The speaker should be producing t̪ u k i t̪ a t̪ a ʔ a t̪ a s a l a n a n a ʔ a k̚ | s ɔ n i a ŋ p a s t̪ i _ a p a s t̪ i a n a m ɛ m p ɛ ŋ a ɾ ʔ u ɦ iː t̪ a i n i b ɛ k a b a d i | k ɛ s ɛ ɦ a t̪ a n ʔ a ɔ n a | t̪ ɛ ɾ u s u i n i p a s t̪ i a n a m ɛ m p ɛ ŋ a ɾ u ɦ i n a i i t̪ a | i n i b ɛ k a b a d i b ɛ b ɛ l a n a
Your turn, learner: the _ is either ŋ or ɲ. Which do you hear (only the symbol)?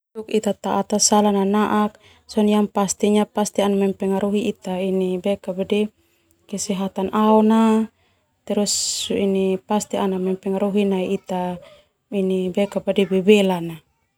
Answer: ɲ